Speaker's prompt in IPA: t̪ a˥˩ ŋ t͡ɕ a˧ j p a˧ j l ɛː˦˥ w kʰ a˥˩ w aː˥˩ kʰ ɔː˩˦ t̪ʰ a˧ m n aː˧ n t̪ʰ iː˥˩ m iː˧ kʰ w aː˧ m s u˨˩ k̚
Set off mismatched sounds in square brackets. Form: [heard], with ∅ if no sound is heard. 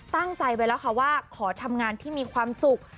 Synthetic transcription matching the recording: t̪ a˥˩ ŋ t͡ɕ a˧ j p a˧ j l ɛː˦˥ w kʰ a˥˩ w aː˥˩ kʰ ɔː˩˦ t̪ʰ a˧ m [ŋ] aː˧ n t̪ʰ iː˥˩ m iː˧ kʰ w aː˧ m s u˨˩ k̚